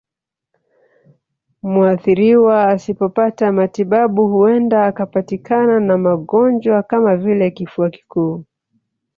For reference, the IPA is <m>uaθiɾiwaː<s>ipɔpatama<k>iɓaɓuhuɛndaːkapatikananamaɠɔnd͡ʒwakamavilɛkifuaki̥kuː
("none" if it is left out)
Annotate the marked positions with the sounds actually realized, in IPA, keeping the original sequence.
m, s, t

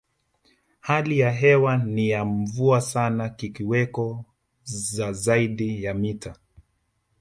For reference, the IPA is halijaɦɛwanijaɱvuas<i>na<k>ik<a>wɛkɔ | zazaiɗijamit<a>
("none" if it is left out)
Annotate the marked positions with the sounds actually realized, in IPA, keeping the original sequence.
a, k, i, a

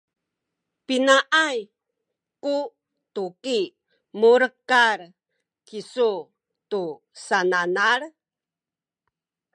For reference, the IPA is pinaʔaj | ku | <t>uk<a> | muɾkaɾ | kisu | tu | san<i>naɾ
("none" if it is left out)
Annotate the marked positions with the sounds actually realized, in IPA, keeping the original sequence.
t, i, a

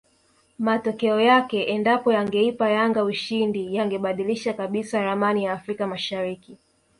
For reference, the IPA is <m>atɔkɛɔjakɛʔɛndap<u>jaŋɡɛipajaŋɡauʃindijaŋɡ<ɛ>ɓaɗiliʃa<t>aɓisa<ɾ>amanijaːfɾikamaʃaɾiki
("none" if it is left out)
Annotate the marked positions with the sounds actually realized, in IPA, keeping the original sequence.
m, ɔ, ɛ, k, ɾ

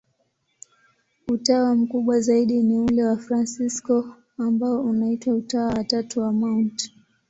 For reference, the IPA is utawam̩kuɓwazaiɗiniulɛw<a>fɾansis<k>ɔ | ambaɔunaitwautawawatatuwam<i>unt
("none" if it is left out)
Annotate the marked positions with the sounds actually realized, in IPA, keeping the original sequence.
a, k, a

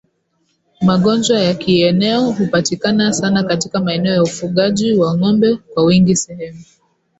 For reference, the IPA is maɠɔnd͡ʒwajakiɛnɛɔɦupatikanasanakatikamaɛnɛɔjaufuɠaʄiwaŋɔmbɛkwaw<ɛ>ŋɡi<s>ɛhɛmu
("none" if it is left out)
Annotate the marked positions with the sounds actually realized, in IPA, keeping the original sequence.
i, s

